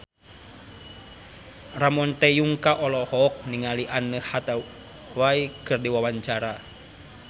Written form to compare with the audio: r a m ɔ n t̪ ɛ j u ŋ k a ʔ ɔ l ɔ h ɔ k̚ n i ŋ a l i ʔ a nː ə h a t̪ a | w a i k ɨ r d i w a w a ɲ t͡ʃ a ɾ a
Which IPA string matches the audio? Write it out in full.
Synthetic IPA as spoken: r a m ɔ n t̪ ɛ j u ŋ k a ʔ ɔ l ɔ h ɔ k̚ n i ŋ a l i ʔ a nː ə h a t̪ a | w a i k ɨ r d i w a w a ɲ t͡ʃ a ɾ a

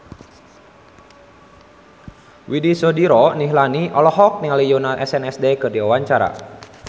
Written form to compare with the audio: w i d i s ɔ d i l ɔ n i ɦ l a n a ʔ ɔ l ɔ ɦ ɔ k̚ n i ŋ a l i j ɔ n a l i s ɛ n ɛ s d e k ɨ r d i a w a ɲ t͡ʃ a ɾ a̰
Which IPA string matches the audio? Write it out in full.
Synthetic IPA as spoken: w i d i s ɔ d i ɾ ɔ n i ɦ l a n i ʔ ɔ l ɔ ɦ ɔ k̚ n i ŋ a l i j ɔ n a l ɛ s ɛ n ɛ s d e k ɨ r d i a w a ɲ t͡ʃ a ɾ a̰

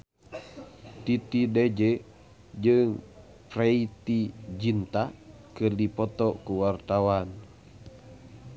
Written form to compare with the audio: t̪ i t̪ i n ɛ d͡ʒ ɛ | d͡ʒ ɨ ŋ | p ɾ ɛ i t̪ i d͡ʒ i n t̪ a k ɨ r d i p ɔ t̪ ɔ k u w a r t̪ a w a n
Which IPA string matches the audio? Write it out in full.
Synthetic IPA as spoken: t̪ i t̪ i d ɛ d͡ʒ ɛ | d͡ʒ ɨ ŋ | p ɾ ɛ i t̪ i d͡ʒ i n t̪ a k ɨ r d i p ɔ t̪ ɔ k u w a r t̪ a w a n

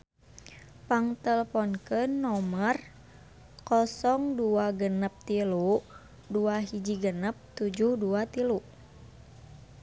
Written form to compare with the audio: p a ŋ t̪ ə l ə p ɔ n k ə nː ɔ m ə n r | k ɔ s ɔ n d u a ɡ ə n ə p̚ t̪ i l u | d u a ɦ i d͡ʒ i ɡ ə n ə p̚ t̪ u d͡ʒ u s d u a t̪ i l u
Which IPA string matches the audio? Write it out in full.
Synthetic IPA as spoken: p a ŋ t̪ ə l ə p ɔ n k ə nː ɔ m ə r | k ɔ s ɔ ŋ d u a ɡ ə n ə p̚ t̪ i l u | d u a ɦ i d͡ʒ i ɡ ə n ə p̚ t̪ u d͡ʒ u h d u a t̪ i l u

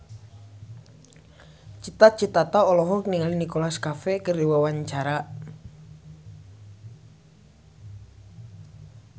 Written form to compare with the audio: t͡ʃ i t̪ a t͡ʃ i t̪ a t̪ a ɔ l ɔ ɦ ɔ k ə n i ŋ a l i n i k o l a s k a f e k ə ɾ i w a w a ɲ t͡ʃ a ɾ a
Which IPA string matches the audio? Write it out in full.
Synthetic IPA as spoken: t͡ʃ i t̪ a t͡ʃ i t̪ a t̪ a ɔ l ɔ ɦ ɔ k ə n i ŋ a l i n i k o l a s k a f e k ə r i w a w a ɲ t͡ʃ a ɾ a

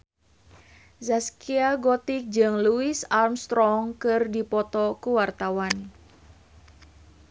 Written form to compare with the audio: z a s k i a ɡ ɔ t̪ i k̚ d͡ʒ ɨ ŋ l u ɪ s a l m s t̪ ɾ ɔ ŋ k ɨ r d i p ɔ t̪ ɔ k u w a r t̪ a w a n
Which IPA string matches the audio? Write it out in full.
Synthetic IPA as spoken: z a s k i a ɡ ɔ t̪ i k̚ d͡ʒ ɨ ŋ l u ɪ s a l m s t̪ ɾ ɔ ŋ k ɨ r d i p ɔ t̪ ɔ k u w a r t̪ a w a n

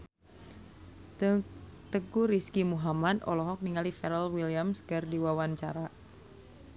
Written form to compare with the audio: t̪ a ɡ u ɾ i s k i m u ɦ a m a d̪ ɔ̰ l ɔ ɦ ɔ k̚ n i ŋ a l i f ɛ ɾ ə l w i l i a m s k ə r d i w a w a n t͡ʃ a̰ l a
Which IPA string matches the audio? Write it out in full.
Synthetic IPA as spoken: t̪ ə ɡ u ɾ i s k i m u ɦ a m a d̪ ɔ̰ l ɔ ɦ ɔ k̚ n i ŋ a l i f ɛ ɾ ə l w i l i a m s k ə r d i w a w a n t͡ʃ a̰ ɾ a

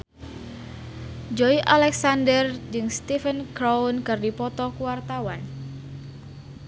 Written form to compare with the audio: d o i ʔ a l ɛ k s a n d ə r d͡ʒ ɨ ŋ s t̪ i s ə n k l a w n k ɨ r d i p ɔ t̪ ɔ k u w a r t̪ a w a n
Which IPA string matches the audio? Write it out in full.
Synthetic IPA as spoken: d͡ʒ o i ʔ a l ɛ k s a n d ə r d͡ʒ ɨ ŋ s t̪ i f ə n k ɾ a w n k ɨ r d i p ɔ t̪ ɔ k u w a r t̪ a w a n

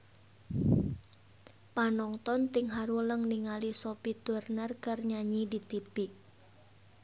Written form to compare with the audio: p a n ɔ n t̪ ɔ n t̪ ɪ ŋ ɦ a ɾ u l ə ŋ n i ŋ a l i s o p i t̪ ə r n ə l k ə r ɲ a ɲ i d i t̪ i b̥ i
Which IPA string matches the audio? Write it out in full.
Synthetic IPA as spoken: p a n ɔ ŋ t̪ ɔ n t̪ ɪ ŋ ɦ a ɾ u l ə ŋ n i ŋ a l i s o p i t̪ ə r n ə r k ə r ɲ a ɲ i d i t̪ i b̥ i

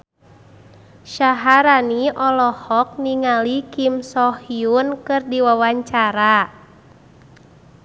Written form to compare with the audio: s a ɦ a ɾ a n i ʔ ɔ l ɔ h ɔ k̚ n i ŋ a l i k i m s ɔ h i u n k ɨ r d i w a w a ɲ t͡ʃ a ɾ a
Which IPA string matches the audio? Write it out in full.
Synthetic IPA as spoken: ʃ a ɦ a ɾ a n i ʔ ɔ l ɔ h ɔ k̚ n i ŋ a l i k i m s ɔ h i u n k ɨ r d i w a w a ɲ t͡ʃ a ɾ a

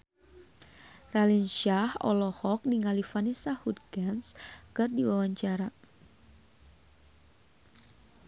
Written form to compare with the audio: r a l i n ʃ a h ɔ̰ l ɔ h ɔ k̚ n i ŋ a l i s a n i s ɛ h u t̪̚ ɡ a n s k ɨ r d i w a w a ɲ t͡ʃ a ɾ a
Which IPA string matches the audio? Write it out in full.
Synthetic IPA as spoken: r a l i n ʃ a h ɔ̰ l ɔ h ɔ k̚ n i ŋ a l i f a n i s a h u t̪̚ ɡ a n s k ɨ r d i w a w a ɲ t͡ʃ a ɾ a

